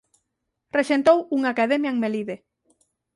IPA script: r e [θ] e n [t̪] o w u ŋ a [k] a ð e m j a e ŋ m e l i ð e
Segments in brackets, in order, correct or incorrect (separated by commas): incorrect, correct, correct